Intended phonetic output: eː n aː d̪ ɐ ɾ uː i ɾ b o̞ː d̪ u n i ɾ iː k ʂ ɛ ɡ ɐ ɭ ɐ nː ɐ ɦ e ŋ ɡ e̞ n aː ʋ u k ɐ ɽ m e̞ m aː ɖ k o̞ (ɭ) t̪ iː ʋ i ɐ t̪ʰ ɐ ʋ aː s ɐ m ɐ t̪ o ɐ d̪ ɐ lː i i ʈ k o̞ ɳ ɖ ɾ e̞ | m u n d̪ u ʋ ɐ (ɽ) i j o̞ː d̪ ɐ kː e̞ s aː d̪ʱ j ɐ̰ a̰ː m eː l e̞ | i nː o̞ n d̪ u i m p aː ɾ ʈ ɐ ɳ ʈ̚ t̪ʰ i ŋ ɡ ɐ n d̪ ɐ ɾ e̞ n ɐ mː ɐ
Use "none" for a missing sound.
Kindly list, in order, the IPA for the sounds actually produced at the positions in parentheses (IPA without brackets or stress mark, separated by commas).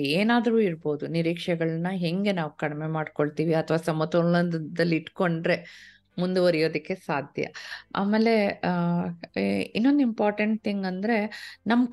ɭ, ɾ